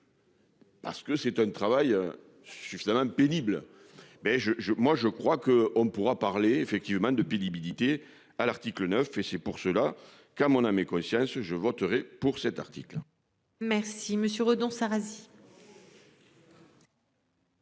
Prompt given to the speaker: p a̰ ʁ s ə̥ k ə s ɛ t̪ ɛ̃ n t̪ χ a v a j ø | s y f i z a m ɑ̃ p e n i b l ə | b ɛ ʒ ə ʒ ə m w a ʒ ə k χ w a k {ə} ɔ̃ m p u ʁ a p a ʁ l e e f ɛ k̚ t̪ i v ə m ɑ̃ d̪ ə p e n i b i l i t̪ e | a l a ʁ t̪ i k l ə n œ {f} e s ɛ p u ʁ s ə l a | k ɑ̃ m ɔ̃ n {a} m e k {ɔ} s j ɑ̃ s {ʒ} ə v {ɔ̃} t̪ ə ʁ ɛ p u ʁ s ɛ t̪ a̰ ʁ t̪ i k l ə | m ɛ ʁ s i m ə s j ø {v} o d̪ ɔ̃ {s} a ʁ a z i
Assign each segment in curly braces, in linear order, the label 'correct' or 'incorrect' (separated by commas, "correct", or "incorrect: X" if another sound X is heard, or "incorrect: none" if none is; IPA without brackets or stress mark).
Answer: correct, correct, correct, incorrect: ɔ̃, correct, incorrect: ɔ, incorrect: ʁ, correct